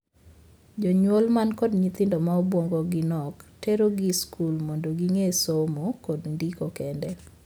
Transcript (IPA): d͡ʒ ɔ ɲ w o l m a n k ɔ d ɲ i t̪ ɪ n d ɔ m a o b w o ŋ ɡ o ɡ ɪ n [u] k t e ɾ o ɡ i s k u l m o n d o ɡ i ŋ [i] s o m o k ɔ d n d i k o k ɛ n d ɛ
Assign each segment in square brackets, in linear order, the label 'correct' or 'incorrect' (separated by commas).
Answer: incorrect, incorrect